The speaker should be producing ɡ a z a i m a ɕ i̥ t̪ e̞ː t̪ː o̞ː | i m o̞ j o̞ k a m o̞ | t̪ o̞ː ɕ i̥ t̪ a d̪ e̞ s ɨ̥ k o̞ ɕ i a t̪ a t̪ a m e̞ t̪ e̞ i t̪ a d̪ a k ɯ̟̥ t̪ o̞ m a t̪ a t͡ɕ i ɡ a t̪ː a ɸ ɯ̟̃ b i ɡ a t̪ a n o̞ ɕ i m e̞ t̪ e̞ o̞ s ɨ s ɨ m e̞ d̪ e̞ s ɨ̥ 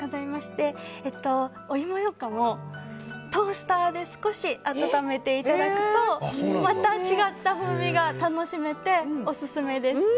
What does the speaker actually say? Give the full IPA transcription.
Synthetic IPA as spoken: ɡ a z a i m a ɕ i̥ t̪ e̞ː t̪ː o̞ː | i m o̞ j o̞ k a m o̞ | t̪ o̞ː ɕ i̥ t̪ a d̪ e̞ s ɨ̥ k o̞ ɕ i a t̪ a t̪ a m e̞ t̪ e̞ i t̪ a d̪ a k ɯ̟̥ t̪ o̞ m a t̪ a t͡ɕ i ɡ a t̪ː a ɸ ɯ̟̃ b i ɡ a t̪ a n o̞ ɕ i m e̞ t̪ e̞ o̞ s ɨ s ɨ m e̞ d̪ e̞ s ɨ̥